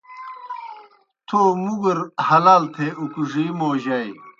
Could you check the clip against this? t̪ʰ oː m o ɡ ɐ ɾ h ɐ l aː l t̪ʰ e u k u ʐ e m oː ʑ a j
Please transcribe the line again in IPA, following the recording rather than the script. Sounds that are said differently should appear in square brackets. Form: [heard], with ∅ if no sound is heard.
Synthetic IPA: t̪ʰ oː m [u] ɡ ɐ ɾ h ɐ l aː l t̪ʰ e u k u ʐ [i] m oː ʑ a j